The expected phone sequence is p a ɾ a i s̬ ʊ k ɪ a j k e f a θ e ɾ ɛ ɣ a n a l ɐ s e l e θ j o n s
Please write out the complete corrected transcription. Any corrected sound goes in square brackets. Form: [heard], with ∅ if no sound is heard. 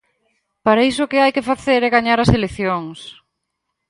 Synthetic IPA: p a ɾ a i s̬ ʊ k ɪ a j k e f a θ e ɾ ɛ ɣ a [ɲ] a [ɾ] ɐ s e l e θ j o [ŋ] s

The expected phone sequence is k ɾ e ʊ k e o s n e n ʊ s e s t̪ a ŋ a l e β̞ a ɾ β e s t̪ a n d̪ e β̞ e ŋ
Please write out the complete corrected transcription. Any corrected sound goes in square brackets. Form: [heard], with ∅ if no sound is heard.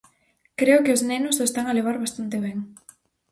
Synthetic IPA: k ɾ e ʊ k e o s n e n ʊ s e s t̪ a ŋ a l e β̞ a ɾ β [a] s t̪ a n [t̪] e β̞ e ŋ

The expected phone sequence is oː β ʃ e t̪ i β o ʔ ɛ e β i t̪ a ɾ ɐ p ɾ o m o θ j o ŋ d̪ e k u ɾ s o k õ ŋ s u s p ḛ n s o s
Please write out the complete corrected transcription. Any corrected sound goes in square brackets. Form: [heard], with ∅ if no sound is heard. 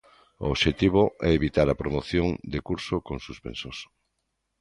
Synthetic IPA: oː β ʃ e t̪ i β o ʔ ɛ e β i t̪ a ɾ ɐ p ɾ o m o θ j o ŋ d̪ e k u ɾ s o k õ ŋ s u s p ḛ n s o s

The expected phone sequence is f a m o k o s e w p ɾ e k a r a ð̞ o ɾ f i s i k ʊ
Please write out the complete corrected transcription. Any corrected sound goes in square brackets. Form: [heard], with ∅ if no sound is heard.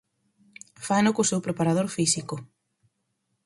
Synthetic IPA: f a [n] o k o s e w p ɾ e [p] a [ɾ] a ð̞ o ɾ f i s i k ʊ

